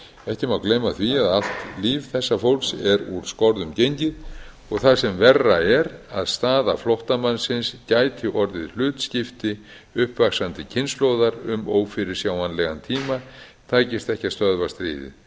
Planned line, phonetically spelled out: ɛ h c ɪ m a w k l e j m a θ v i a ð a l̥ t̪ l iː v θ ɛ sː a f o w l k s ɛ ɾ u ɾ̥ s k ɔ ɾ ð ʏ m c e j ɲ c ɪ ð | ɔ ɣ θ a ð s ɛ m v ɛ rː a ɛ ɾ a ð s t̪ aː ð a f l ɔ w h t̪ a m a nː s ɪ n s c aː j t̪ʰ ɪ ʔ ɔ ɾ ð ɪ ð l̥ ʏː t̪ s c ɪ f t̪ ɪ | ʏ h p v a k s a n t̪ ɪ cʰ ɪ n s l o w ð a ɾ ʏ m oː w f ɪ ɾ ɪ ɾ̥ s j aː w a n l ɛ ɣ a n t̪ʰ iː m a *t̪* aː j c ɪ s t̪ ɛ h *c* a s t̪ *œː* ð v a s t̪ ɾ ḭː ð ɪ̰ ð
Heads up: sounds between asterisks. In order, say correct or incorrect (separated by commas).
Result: incorrect, correct, incorrect